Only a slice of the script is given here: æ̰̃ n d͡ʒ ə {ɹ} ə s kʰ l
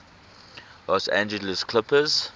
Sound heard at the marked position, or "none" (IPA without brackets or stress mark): l